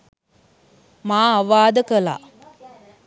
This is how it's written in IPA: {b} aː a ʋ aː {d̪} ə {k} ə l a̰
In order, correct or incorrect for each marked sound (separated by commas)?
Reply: incorrect, correct, correct